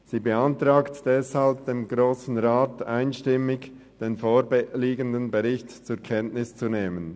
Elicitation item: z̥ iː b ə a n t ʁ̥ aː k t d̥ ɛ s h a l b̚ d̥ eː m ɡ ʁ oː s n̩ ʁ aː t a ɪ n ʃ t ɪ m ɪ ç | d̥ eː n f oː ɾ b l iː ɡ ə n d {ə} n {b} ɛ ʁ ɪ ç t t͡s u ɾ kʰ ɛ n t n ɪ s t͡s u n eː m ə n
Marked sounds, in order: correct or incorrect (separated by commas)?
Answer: correct, correct